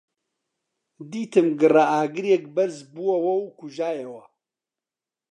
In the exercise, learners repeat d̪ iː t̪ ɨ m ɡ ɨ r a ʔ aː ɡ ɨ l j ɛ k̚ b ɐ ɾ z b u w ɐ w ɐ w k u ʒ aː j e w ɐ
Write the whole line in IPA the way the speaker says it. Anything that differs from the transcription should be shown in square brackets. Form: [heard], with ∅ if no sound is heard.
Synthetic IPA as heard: d̪ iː t̪ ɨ m ɡ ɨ r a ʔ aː ɡ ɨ [ɾ] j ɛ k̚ b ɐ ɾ z b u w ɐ w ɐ w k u ʒ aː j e w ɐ